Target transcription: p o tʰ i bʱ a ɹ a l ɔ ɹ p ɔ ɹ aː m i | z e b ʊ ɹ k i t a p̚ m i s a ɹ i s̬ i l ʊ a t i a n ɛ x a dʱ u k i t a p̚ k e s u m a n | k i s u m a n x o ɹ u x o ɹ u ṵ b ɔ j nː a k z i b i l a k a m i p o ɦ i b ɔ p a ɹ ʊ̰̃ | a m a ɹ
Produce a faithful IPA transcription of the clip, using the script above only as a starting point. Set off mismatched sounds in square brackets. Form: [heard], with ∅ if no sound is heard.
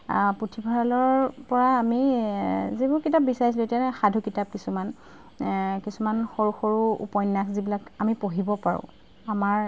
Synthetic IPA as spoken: p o tʰ i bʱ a ɹ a l ɔ ɹ p ɔ ɹ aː m i | z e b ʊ ɹ k i t a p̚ [b] i s a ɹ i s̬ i l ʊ [e] t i a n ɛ x a dʱ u k i t a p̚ k [i] s u m a n | k i s u m a n x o ɹ u x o ɹ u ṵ [p] ɔ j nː a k z i b i l a k a m i p o ɦ i b ɔ p a ɹ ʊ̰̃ | a m a ɹ